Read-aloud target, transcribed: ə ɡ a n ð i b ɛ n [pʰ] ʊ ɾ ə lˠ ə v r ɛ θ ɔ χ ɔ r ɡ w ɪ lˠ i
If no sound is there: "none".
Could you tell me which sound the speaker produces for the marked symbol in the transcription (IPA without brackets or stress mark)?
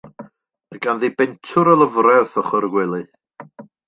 tʰ